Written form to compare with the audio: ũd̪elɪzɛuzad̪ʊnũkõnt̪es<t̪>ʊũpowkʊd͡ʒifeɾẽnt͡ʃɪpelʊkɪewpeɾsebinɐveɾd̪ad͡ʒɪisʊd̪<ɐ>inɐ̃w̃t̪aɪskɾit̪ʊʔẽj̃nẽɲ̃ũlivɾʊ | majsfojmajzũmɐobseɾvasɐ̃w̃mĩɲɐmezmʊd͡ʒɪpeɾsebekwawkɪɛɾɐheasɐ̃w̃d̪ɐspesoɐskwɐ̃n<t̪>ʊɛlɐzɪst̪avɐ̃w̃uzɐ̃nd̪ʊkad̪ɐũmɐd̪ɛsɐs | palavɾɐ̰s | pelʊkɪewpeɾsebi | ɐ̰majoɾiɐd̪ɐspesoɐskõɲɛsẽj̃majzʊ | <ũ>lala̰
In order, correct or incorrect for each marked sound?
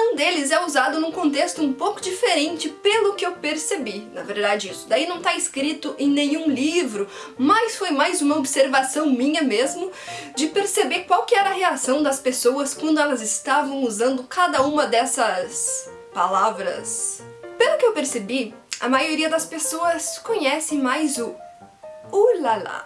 correct, incorrect: a, incorrect: d̪, incorrect: u

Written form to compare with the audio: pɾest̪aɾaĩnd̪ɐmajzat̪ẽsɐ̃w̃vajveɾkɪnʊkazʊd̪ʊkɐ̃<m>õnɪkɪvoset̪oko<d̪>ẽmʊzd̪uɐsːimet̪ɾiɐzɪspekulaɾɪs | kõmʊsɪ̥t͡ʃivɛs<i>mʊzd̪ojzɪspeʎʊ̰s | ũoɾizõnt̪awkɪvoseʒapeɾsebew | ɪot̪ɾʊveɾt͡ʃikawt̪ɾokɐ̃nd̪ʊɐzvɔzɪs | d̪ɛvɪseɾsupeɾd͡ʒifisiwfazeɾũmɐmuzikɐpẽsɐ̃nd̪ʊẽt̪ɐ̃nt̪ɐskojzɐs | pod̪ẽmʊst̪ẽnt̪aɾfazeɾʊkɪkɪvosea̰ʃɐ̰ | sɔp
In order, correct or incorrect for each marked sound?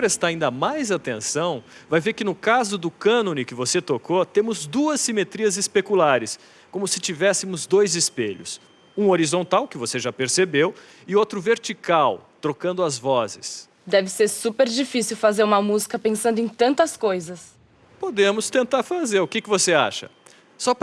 incorrect: n, incorrect: t̪, incorrect: ɪ

